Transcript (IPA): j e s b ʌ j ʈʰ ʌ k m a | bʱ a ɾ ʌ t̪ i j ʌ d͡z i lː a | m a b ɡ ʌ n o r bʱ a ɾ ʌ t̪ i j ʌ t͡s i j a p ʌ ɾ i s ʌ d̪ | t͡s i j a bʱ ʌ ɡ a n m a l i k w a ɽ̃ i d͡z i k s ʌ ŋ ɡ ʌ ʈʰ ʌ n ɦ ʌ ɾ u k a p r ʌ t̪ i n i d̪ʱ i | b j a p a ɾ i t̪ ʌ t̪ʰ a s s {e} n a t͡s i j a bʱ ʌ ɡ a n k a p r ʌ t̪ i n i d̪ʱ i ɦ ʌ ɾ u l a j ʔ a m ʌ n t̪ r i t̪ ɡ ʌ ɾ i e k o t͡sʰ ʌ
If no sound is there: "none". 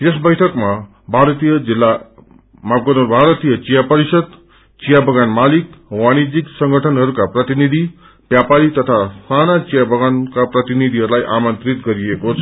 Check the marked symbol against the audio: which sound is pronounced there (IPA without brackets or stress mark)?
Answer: a